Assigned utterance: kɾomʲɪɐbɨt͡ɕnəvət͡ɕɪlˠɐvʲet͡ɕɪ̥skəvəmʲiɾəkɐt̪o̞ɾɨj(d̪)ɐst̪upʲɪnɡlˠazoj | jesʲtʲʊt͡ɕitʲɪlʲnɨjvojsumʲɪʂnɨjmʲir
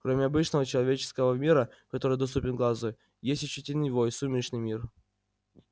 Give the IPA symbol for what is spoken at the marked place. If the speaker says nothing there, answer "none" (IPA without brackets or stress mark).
d̪